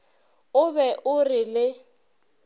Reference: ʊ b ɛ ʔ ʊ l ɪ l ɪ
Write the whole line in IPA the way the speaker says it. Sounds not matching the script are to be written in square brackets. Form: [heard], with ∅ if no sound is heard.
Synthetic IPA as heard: ʊ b ɛ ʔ ʊ [r] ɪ l ɪ